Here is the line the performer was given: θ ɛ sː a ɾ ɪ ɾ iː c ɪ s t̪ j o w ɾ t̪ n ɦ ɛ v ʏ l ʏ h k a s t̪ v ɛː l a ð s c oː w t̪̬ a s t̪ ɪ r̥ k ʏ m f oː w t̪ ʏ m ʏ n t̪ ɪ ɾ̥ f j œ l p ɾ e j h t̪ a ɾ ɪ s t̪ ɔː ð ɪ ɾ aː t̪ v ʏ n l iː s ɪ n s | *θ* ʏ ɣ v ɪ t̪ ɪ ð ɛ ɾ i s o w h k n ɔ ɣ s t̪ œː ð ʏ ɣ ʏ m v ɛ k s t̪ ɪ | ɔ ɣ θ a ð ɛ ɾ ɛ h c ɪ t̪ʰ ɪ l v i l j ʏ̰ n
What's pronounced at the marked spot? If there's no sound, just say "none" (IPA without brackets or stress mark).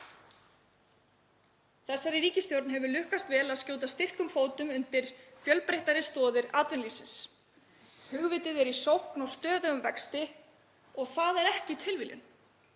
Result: h